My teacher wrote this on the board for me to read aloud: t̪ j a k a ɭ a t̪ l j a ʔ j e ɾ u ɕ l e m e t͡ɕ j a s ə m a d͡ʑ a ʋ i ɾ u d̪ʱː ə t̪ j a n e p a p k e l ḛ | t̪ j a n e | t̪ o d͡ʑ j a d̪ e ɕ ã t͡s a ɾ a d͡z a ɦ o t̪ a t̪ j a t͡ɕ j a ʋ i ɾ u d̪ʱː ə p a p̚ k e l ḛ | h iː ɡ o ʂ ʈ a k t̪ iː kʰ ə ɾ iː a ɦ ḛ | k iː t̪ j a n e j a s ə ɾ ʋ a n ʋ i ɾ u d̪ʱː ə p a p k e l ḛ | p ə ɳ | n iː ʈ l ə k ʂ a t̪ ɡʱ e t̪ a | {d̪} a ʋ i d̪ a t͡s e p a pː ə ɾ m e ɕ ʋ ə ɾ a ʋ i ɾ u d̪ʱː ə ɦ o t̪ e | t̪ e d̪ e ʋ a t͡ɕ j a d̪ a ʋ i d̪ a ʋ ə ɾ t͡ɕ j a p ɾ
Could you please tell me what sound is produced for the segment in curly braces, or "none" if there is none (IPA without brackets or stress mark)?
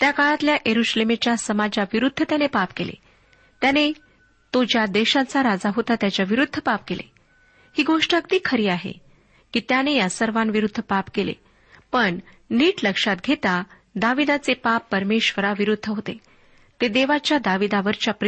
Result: d̪